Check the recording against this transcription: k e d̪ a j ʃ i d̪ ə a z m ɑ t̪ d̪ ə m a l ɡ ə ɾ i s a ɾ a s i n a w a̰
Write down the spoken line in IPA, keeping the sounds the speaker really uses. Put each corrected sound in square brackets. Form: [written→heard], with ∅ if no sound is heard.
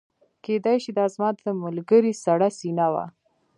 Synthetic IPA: k e d̪ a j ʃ i d̪ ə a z m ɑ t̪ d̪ ə m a l ɡ ə ɾ i s a [ɾ→ɽ] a s i n a w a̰

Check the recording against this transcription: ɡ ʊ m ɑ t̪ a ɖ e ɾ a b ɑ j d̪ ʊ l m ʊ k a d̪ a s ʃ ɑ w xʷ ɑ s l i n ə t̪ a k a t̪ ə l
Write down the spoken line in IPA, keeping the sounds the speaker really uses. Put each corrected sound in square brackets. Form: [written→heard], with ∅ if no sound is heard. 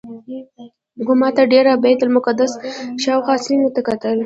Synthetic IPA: ɡ ʊ m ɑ t̪ a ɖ e ɾ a b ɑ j [d̪→t̪] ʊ l m ʊ k a d̪ a s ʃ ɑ w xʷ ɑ s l i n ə t̪ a k a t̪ ə l

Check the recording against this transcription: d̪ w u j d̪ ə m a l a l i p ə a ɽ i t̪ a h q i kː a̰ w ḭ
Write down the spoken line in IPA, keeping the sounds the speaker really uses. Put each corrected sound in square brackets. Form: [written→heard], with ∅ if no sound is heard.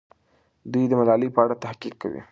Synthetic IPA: d̪ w u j d̪ ə m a l [a→ɑ] l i p ə a ɽ [i→a] t̪ a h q i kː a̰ w ḭ

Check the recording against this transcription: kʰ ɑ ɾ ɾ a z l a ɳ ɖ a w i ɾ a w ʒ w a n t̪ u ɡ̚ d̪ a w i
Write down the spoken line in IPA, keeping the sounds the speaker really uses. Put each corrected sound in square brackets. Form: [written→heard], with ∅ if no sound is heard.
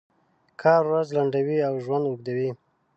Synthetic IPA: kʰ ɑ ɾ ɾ a z l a ɳ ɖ a w i [ɾ→∅] a w ʒ w a n [t̪→d̪] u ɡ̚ d̪ a w i

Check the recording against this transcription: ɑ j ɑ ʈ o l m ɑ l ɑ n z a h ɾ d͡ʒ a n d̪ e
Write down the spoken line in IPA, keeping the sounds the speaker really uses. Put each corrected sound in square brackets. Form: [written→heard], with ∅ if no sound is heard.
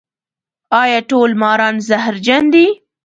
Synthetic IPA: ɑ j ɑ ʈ o l m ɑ [l→ɾ] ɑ n z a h ɾ d͡ʒ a n d̪ [e→i]

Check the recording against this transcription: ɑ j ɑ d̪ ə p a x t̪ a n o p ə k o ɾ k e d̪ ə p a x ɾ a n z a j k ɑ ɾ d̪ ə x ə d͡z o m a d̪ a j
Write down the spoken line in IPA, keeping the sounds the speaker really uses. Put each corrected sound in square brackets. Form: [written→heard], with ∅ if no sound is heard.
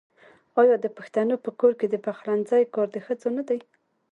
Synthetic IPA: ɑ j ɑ d̪ ə p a x t̪ a n o p ə k o ɾ k e d̪ ə p a x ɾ a n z a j k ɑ ɾ d̪ ə x ə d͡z o [m→n] a d̪ a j

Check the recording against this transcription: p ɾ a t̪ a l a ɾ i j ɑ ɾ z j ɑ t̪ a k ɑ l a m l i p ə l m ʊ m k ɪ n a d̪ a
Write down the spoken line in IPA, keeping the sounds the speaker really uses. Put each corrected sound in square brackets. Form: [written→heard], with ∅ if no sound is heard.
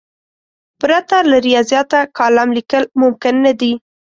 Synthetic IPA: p ɾ a t̪ a l a ɾ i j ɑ [ɾ→∅] z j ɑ t̪ a k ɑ l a m l i [p→k] ə l m ʊ m k ɪ [n→nː] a d̪ [a→i]

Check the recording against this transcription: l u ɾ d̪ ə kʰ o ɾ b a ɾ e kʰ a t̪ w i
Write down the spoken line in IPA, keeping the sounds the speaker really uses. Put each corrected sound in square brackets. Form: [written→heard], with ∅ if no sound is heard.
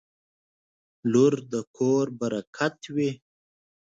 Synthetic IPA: l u ɾ d̪ ə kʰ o ɾ b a ɾ [e→a] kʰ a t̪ w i

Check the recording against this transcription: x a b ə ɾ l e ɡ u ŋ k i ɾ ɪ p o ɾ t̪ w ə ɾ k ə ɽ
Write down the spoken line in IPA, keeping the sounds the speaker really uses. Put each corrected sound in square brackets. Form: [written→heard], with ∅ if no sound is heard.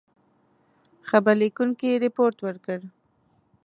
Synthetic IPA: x a b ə ɾ l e [ɡ→k] u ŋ k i ɾ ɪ p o ɾ t̪ w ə ɾ k ə ɽ

